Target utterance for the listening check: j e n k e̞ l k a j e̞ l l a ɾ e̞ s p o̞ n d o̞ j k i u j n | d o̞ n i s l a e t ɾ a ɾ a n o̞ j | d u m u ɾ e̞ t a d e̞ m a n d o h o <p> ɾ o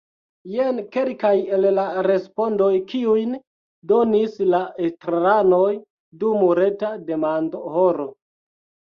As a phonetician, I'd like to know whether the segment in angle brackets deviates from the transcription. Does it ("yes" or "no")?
yes